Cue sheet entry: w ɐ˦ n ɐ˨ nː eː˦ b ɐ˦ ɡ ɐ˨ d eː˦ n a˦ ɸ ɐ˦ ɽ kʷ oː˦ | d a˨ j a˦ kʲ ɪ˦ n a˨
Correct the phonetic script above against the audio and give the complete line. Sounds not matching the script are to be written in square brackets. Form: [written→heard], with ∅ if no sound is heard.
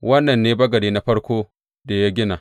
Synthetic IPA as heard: w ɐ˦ [n→nː] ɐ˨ nː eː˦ b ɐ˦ ɡ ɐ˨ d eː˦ n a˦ ɸ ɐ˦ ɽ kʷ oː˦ | d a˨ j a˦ [kʲ→ɡʲ] ɪ˦ n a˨